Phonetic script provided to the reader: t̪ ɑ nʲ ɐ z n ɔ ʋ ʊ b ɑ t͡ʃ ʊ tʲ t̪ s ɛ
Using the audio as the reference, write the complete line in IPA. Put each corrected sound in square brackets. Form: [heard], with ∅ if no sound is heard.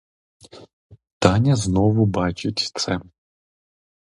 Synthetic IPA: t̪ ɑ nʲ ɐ z n ɔ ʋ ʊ b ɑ t͡ʃ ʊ tʲ t̪ s ɛ